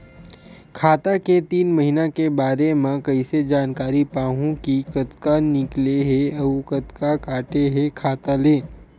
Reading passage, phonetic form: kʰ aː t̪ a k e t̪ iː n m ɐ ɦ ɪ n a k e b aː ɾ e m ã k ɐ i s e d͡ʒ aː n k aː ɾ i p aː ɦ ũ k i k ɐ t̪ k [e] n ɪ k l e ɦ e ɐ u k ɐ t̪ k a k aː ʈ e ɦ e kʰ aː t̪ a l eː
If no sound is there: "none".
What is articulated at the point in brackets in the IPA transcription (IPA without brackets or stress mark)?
a